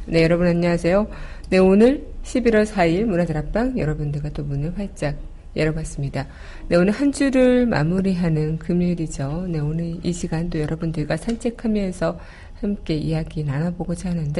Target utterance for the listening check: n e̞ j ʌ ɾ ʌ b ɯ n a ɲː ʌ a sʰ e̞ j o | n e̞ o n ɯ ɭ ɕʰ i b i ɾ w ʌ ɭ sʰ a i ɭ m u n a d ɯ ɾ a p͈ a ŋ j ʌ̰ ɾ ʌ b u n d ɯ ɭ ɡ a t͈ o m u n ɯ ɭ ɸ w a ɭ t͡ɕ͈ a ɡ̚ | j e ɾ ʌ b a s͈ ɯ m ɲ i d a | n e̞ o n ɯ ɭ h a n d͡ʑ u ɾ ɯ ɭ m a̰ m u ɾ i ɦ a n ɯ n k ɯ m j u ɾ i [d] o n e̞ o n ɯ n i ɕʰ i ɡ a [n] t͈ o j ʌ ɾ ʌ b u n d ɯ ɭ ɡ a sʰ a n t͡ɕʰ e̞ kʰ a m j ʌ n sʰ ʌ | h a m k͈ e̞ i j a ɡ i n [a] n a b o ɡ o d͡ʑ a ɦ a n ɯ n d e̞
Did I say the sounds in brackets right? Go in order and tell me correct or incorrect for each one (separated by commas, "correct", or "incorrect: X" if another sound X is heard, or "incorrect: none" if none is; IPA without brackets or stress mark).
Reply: incorrect: d͡ʑ, correct, correct